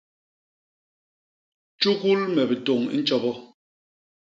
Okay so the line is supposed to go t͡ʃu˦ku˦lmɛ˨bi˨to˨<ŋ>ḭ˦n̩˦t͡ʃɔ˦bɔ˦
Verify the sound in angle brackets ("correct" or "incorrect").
correct